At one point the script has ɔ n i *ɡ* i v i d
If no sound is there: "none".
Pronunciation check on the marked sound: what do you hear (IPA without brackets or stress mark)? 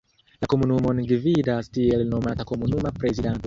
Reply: ɡ